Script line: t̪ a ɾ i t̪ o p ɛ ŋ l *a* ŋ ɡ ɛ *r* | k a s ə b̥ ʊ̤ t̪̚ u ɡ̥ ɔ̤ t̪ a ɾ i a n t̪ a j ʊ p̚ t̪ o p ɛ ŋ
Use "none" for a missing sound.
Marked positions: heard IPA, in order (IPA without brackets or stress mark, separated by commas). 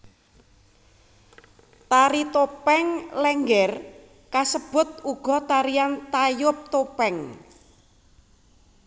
ɛ, r